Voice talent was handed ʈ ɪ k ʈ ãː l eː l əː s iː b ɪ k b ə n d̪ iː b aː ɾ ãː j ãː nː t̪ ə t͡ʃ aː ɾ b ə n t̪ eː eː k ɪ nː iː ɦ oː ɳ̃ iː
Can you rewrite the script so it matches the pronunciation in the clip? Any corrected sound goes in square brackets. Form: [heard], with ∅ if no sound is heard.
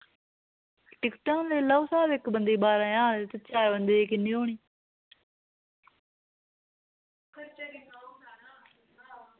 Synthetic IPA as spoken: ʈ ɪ k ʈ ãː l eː l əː s [aː] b ɪ k b ə n d̪ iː b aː ɾ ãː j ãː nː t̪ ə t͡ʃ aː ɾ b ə n [d̪] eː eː k ɪ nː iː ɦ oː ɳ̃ iː